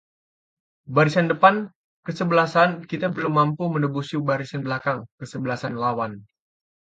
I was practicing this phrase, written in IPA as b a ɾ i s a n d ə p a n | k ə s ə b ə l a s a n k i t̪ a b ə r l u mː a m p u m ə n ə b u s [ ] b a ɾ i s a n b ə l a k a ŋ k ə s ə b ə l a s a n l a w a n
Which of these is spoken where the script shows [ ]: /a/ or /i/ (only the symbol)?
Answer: i